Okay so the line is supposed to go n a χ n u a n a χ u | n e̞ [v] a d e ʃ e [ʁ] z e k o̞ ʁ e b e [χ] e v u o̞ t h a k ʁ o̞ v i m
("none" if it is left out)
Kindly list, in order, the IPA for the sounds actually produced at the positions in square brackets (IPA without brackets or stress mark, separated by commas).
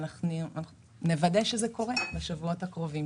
v, none, ʃ